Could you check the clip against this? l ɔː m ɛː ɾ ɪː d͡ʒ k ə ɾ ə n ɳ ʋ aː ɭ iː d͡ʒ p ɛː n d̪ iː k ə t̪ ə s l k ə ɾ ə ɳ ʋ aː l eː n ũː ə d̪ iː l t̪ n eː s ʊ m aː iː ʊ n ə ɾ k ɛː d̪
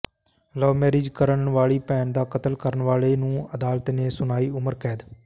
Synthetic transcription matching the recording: l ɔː m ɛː ɾ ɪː d͡ʒ k ə ɾ ə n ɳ ʋ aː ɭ iː p ɛː n d̪ aː k ə t̪ ə l k ə ɾ ə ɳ ʋ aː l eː n ũː ə d̪ aː l t̪ n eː s ʊ n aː iː ʊ m ə ɾ k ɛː d̪